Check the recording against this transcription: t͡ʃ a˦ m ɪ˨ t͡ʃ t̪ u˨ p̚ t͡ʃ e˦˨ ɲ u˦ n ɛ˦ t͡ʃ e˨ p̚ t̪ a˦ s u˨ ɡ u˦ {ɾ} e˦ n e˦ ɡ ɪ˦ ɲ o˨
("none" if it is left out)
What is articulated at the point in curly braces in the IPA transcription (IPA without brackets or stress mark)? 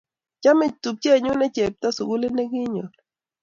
l